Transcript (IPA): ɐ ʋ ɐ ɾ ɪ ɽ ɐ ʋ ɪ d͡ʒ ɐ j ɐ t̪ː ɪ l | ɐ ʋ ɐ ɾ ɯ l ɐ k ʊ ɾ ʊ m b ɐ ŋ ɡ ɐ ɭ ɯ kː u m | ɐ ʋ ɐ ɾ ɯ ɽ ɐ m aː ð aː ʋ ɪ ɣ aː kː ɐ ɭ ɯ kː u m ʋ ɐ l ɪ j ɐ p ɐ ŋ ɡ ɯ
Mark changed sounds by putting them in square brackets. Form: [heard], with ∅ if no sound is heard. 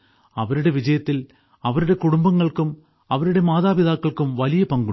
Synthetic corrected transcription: ɐ ʋ ɐ ɾ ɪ ɽ ɐ ʋ ɪ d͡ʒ ɐ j ɐ t̪ː ɪ l | ɐ ʋ ɐ ɾ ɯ [ɽ] ɐ k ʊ [ɽ] ʊ m b ɐ ŋ ɡ ɐ ɭ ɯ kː [ɯ] m | ɐ ʋ ɐ ɾ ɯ ɽ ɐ m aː ð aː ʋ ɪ [ð] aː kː ɐ ɭ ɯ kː [ɯ] m ʋ ɐ l ɪ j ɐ p ɐ ŋ ɡ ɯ